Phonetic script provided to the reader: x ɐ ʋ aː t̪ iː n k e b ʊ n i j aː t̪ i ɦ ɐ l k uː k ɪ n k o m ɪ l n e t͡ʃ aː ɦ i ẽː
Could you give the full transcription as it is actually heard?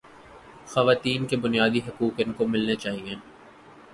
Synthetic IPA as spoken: x ɐ ʋ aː t̪ iː n k e b ʊ n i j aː d̪ i ɦ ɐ k uː k ɪ n k o m ɪ l n e t͡ʃ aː ɦ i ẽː